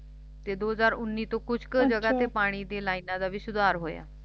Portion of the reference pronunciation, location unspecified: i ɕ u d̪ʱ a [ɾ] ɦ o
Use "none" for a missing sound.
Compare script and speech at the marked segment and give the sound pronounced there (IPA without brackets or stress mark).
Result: ɾ